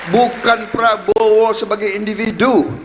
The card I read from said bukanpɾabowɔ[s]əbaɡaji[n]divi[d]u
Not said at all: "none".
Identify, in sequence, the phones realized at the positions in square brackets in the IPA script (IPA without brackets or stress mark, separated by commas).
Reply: s, n, d